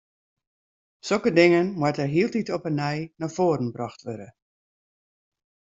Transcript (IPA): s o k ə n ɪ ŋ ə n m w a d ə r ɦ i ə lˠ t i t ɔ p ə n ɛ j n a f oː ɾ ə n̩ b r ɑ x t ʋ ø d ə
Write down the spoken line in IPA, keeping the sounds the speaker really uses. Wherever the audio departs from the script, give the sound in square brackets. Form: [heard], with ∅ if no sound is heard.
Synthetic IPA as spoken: s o k ə [d] ɪ ŋ ə n m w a [t] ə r ɦ i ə lˠ t i t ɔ p ə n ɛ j n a f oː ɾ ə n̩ b r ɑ x t ʋ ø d ə